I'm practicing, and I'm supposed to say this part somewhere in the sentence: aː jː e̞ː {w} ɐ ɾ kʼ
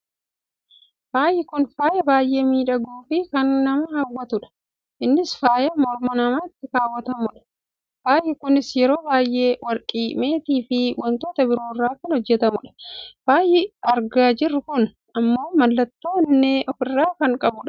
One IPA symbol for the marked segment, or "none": w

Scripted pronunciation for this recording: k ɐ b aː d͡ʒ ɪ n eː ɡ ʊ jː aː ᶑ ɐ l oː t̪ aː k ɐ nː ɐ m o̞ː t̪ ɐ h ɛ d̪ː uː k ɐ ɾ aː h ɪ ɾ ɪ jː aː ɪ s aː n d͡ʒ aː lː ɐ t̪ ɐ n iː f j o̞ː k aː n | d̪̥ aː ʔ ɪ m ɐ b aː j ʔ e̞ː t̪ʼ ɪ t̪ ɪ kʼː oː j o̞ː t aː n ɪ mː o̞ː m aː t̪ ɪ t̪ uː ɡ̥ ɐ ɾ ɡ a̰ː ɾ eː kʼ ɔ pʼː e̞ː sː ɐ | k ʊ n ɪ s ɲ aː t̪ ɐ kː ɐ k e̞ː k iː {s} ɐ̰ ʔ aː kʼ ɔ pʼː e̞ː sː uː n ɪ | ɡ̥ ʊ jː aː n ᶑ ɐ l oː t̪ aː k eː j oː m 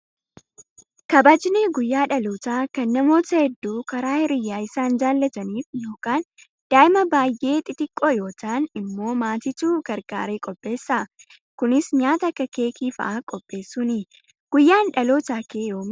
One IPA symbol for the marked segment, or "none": f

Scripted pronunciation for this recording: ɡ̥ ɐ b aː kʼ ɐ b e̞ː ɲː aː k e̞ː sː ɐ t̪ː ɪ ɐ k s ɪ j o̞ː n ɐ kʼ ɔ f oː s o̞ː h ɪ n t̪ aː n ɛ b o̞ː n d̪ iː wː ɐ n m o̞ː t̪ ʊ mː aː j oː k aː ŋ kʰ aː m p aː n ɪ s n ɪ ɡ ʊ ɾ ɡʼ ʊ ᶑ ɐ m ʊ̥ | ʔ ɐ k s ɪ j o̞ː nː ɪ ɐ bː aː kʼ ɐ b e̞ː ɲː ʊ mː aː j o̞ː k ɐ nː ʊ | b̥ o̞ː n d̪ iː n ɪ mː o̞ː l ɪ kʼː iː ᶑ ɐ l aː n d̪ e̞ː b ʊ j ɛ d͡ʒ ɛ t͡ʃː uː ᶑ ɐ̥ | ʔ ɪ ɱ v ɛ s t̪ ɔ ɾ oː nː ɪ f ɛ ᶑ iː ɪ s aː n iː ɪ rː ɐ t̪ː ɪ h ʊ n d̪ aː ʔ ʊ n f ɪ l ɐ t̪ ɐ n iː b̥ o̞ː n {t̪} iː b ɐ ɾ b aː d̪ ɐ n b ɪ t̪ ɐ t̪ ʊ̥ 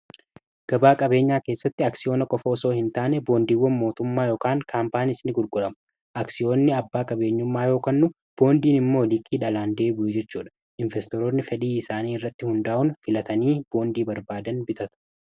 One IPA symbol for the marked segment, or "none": d̪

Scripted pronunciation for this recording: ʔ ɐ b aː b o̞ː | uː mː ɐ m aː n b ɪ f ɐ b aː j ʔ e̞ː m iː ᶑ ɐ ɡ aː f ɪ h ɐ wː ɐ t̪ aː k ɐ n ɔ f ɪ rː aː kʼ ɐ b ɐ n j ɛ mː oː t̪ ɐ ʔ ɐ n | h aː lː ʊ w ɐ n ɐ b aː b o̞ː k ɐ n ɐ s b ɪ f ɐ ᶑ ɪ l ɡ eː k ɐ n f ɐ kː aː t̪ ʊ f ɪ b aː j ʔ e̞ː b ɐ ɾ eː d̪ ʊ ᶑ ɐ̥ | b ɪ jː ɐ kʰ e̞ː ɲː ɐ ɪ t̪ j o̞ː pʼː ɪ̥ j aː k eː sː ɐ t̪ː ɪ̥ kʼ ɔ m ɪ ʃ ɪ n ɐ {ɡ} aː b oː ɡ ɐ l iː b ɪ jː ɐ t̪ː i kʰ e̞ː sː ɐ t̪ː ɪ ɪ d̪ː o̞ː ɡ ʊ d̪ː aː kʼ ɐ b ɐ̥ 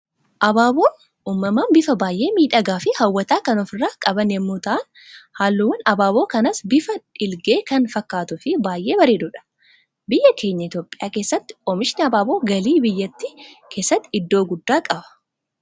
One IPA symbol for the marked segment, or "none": b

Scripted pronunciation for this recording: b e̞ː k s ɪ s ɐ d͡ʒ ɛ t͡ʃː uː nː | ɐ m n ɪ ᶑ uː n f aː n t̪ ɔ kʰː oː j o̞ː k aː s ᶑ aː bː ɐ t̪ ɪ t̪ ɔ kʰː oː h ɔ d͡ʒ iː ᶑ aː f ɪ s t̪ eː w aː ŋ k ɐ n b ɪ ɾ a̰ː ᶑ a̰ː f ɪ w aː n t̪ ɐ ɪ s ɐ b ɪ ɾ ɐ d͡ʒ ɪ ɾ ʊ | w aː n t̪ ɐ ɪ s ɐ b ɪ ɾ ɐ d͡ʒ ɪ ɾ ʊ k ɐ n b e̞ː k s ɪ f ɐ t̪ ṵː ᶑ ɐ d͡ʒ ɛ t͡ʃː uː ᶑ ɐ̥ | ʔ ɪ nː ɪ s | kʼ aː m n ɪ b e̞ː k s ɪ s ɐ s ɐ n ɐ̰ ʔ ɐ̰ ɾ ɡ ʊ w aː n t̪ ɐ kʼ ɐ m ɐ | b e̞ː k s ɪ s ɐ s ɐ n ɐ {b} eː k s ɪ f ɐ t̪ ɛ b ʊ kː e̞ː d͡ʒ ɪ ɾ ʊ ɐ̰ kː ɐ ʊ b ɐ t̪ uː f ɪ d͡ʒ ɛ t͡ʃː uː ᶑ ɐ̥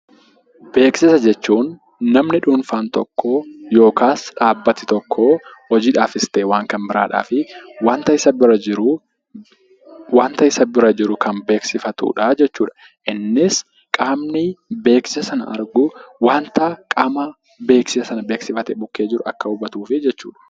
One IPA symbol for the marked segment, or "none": b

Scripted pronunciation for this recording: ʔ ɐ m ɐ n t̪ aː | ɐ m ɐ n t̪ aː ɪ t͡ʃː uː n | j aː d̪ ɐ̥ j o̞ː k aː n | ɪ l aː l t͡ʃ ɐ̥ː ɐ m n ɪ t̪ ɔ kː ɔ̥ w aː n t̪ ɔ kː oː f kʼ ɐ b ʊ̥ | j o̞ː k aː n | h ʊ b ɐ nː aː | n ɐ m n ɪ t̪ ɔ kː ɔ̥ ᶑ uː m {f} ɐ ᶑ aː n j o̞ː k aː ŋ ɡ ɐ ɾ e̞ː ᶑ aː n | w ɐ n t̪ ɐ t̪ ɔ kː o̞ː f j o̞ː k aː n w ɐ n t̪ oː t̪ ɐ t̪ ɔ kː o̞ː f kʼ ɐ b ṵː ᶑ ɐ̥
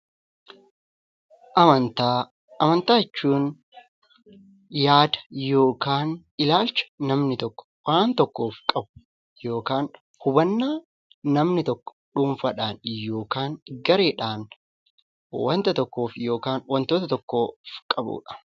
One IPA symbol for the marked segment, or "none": f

